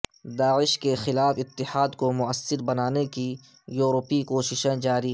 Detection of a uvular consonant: absent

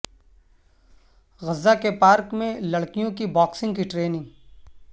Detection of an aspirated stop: absent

